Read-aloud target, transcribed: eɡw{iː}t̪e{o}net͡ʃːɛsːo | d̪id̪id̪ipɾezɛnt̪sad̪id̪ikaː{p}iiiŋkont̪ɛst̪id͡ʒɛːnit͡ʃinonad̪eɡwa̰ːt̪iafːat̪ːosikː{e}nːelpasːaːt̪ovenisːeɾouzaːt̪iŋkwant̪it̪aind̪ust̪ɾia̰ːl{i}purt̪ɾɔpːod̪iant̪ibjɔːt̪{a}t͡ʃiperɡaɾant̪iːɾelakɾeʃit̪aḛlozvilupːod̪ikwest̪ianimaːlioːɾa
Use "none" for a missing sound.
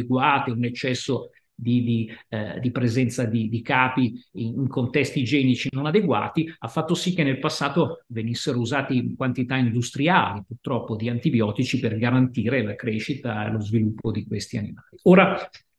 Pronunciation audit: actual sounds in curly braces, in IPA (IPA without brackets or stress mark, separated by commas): aː, u, p, e, i, i